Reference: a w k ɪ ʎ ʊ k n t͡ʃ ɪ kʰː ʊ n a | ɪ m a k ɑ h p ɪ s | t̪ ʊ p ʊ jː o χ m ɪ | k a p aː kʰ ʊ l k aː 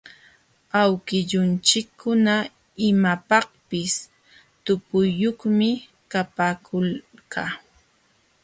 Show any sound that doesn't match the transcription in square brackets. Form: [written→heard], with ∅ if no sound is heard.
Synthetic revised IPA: a w k ɪ ʎ ʊ [k→∅] n t͡ʃ ɪ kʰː ʊ n a | ɪ m a [k→p] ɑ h p ɪ s | t̪ ʊ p ʊ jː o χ m ɪ | k a p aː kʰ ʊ l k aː